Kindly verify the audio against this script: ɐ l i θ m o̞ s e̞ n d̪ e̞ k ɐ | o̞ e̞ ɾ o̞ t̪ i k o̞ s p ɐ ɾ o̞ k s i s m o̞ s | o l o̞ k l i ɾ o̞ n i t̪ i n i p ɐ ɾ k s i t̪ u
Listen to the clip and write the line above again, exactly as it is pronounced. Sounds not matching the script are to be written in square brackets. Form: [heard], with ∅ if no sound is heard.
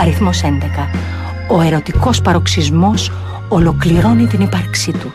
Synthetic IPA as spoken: ɐ [ɾ] i θ m o̞ s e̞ n d̪ e̞ k ɐ | o̞ e̞ ɾ o̞ t̪ i k o̞ s p ɐ ɾ o̞ k s i [z] m o̞ s | o l o̞ k l i ɾ o̞ n i t̪ i n i p ɐ ɾ k s i t̪ u